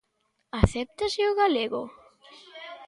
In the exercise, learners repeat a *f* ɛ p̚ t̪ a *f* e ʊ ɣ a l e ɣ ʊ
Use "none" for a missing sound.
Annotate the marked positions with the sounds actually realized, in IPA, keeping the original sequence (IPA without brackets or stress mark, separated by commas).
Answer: θ, s